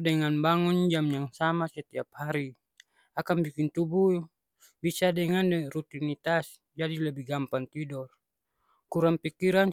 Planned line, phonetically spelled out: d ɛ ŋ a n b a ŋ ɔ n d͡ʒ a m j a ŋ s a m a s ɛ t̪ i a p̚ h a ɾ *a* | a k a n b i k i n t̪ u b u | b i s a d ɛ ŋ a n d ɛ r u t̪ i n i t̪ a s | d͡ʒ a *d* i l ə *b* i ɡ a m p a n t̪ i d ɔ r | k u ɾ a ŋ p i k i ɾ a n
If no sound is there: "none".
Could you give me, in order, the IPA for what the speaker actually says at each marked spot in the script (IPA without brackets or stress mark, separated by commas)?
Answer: i, d, b